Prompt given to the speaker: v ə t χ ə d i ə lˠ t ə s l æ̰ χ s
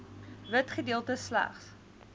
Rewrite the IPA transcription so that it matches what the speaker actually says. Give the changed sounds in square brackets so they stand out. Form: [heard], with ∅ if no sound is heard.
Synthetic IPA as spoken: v ə t χ ə d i ə lˠ t ə s l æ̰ χ s